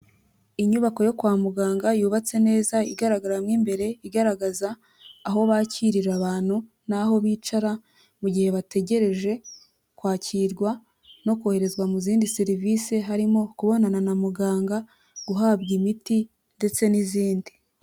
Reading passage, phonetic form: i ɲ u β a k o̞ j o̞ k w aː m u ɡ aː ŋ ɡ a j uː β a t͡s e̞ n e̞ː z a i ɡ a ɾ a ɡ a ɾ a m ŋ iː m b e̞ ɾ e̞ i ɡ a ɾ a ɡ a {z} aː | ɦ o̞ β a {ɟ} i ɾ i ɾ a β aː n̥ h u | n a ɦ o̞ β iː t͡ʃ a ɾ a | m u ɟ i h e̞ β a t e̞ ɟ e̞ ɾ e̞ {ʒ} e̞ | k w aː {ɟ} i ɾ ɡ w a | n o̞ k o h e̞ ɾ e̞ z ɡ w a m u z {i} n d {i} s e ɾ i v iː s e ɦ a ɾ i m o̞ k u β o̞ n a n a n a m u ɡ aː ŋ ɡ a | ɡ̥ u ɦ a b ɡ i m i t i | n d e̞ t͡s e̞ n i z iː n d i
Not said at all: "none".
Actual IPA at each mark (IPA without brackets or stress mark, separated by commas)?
z, c, ʒ, c, iː, i